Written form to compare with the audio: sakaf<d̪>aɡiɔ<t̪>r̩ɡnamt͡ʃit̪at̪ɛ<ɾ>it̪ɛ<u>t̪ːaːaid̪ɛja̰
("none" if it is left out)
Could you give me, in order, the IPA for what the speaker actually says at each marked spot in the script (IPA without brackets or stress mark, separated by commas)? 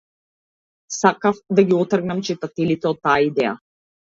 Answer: d̪, t̪, l, ɔ